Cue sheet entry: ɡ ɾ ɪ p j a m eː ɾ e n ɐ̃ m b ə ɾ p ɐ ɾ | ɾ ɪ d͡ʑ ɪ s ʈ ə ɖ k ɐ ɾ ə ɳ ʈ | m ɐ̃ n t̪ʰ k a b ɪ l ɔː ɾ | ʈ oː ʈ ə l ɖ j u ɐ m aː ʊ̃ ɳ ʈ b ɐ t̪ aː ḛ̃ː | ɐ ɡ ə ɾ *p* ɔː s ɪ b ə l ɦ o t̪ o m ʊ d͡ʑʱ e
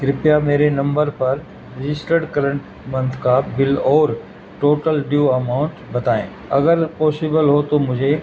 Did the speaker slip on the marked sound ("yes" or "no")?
no